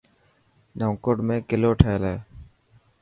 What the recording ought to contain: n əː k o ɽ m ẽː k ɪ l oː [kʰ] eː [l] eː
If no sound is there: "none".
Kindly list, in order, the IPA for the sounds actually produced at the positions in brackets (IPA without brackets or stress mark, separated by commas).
ʈʰ, l